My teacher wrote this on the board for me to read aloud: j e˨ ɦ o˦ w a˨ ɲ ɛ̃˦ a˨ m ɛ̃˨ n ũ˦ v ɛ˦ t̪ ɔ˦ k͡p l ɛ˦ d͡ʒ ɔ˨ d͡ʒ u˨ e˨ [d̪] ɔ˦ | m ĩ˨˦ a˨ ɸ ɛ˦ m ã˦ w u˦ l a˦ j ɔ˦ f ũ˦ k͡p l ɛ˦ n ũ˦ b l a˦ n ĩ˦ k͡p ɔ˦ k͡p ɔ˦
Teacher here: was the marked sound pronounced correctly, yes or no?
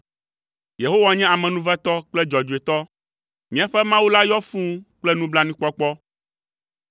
no